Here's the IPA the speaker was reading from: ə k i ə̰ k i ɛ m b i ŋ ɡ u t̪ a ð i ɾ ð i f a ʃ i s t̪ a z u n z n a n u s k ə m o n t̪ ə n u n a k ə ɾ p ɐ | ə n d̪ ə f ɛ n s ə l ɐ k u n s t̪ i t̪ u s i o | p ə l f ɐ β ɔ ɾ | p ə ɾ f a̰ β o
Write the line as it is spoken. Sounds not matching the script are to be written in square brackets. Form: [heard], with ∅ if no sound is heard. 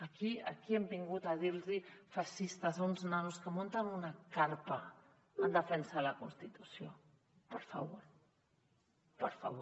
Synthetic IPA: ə k i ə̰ k i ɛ m b i ŋ ɡ u t̪ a ð i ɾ [z] i f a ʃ i s t̪ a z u n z n a n u s k ə m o n t̪ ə n u n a k [a] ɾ p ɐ | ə n d̪ ə f ɛ n s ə l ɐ k u n s t̪ i t̪ u s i o | p ə [ɾ] f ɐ β [o] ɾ | p ə ɾ f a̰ β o

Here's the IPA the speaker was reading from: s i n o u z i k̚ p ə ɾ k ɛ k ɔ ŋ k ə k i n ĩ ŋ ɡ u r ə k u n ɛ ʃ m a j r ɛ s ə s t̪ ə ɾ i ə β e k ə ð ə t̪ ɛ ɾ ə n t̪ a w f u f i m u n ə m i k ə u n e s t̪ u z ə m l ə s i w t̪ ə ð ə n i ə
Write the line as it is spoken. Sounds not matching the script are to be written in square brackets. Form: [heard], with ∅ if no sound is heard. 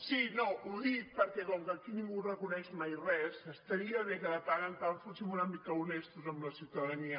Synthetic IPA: s i n o u [ð] i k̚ p ə ɾ k ɛ k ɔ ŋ k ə k i n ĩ ŋ ɡ u r ə k u n ɛ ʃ m a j r ɛ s ə s t̪ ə ɾ i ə β e k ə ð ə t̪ [a] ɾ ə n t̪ a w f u [s] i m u n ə m i k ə u n e s t̪ u z ə m l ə s i w t̪ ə ð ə n i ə

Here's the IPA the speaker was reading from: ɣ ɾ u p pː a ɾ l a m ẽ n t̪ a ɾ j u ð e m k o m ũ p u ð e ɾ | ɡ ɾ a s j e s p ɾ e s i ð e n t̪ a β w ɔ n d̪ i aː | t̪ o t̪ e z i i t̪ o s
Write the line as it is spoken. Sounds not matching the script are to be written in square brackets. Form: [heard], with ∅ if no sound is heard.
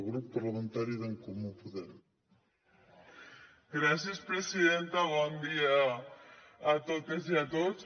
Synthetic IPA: ɣ ɾ u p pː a ɾ l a m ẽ n t̪ a ɾ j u ð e [ŋ] k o m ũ p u ð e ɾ | ɡ ɾ a s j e s p ɾ e s i ð e n t̪ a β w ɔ n d̪ i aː | t̪ o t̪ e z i [a] t̪ o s

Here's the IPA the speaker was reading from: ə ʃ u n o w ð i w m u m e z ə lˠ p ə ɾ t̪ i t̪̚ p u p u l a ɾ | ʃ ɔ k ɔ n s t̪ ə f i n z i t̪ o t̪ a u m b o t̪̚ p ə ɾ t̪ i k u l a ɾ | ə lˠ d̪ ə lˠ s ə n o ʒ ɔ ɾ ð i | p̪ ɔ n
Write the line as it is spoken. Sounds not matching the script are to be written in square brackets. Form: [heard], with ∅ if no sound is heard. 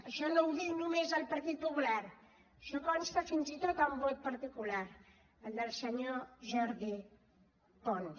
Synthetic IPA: ə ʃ [ɔ] n o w ð i w [n] u m e z ə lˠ p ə ɾ t̪ i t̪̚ p u p u l a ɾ | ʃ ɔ k ɔ n s t̪ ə f i n z i t̪ o t̪ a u m b o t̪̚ p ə ɾ t̪ i k u l a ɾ | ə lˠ d̪ ə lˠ s ə [ɲ] o ʒ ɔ ɾ ð i | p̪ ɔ n

